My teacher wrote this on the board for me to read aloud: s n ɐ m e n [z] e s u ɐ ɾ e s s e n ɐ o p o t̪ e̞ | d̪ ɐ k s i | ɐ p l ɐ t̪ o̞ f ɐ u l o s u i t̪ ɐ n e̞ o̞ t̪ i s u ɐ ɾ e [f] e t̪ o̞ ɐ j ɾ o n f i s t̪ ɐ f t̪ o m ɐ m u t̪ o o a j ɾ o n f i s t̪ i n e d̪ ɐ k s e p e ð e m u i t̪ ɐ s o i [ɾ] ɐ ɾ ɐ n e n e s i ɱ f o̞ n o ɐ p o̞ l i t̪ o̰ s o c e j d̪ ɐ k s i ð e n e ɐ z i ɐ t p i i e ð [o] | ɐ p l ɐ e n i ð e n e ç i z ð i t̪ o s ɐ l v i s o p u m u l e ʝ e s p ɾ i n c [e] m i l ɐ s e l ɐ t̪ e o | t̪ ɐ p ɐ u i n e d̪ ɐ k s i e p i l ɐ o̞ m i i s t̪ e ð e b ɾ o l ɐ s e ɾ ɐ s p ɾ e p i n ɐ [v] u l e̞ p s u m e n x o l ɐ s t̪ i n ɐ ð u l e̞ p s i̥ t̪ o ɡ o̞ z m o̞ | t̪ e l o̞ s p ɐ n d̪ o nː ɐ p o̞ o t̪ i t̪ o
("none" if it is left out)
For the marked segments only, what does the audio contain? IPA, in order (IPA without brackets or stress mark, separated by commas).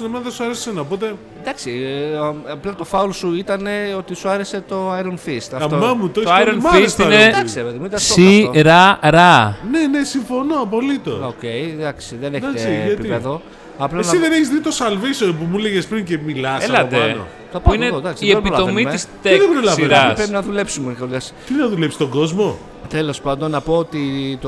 ð, s, ɾ, o, e, ð